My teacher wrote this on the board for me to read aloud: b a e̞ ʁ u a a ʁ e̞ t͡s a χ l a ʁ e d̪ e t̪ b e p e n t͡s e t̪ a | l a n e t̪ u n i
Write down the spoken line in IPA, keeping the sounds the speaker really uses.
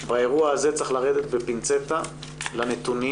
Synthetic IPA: b a e̞ ʁ u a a z e̞ t͡s a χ l a ʁ e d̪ e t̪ b e p i n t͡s e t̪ a | l a n e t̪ u n i